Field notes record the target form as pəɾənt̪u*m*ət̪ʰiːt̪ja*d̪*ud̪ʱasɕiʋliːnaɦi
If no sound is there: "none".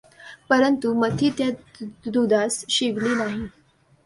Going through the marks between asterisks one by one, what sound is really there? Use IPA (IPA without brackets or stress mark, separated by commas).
m, d̪